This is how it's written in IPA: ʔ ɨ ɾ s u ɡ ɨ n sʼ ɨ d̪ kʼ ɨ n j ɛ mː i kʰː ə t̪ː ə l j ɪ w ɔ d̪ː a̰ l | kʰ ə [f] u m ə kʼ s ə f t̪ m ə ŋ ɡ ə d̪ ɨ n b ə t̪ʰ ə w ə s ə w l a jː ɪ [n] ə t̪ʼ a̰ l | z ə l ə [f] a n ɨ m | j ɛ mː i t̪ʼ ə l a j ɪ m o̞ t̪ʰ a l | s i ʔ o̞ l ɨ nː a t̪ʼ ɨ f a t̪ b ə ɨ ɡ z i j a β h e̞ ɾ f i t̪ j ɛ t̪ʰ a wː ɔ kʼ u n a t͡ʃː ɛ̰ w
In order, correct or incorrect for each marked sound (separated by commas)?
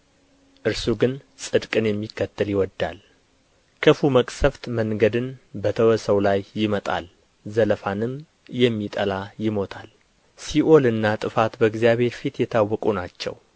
correct, incorrect, correct